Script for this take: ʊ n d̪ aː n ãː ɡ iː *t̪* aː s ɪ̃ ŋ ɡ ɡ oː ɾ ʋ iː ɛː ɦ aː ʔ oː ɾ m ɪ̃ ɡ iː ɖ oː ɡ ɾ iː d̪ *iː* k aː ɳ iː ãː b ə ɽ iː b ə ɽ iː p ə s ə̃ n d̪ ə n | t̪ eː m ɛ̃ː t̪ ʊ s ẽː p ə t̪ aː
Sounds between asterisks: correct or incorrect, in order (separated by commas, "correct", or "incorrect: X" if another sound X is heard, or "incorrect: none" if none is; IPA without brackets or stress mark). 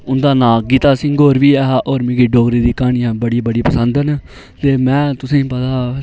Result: correct, correct